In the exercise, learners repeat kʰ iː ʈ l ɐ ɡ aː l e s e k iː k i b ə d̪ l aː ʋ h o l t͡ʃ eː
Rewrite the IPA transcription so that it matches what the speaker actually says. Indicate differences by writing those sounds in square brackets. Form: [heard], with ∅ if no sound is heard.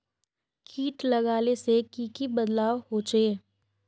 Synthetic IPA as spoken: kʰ iː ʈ l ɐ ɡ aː l e s e k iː k i b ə d̪ l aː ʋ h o [∅] t͡ʃ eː